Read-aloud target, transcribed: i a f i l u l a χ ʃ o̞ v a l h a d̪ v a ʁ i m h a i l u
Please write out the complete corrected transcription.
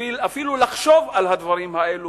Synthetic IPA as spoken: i a f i l u l a χ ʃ o̞ v a l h a d̪ v a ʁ i m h a e l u